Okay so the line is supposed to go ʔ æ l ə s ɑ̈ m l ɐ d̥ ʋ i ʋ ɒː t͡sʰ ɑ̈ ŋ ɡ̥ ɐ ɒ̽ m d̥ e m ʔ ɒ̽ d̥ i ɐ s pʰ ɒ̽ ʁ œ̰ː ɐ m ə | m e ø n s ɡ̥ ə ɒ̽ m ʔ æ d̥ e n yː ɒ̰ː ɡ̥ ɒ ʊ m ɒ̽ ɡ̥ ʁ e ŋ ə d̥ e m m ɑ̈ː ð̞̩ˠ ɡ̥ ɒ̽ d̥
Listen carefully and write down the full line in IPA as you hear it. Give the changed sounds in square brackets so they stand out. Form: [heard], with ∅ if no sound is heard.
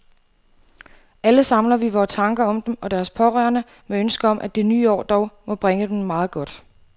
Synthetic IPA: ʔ æ l ə s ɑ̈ m l ɐ [∅] ʋ i ʋ ɒː t͡sʰ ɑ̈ ŋ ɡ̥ ɐ ɒ̽ m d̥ e m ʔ ɒ̽ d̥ [æ] ɐ s pʰ ɒ̽ ʁ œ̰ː ɐ [n] ə | m e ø n s ɡ̥ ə ɒ̽ m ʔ æ d̥ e n yː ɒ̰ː [d̥] ɒ ʊ m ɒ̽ [b̥] ʁ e ŋ ə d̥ e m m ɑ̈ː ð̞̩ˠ ɡ̥ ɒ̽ d̥